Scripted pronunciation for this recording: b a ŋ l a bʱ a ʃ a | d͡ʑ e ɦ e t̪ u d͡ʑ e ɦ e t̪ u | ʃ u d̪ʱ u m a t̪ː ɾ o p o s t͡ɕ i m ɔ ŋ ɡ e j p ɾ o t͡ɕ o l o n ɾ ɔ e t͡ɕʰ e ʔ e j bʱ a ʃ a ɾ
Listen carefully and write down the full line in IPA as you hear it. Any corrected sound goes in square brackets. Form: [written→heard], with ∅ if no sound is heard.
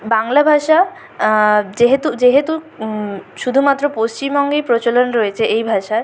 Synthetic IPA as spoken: b a ŋ l a bʱ a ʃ a | d͡ʑ e ɦ e t̪ u d͡ʑ e ɦ e t̪ u | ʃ u d̪ʱ u m a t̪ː ɾ o p o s t͡ɕ i m ɔ ŋ ɡ e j p ɾ o t͡ɕ o l o n ɾ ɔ e t͡ɕʰ e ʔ e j bʱ a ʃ a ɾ